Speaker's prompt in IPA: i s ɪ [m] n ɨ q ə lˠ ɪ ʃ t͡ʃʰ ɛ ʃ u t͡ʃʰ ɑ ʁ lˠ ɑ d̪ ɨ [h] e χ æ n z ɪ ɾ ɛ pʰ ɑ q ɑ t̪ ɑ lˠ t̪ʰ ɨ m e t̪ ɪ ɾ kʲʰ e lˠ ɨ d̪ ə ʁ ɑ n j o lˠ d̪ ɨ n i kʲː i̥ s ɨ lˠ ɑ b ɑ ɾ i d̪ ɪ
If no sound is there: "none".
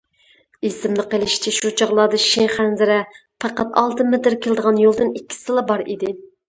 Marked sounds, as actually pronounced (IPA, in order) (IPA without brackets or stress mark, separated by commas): m, ʃ